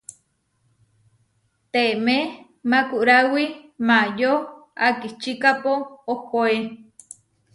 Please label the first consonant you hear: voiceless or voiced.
voiceless